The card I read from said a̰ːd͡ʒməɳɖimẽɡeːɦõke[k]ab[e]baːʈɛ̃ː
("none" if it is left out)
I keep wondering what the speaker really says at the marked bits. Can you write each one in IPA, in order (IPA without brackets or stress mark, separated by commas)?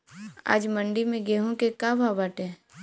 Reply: k, a